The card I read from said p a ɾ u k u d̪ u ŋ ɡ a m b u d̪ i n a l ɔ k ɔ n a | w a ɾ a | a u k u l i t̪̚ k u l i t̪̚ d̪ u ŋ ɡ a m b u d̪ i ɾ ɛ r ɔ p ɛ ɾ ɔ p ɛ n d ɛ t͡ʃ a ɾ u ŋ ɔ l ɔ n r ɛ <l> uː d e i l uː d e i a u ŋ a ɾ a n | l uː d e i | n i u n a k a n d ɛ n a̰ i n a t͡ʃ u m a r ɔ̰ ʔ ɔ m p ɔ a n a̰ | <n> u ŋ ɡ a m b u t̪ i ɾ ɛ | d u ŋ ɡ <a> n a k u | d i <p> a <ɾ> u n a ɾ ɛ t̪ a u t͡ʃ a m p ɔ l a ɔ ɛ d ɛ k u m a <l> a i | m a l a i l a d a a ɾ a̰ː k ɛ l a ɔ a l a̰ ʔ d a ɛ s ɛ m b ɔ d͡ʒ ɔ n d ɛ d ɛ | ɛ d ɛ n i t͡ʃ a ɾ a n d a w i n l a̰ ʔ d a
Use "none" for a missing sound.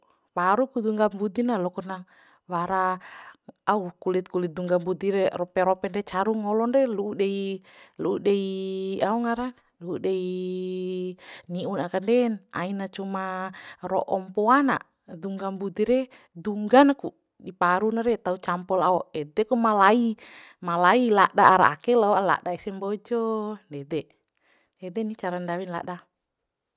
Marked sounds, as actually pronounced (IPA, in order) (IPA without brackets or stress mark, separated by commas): l, d, a, p, ɾ, l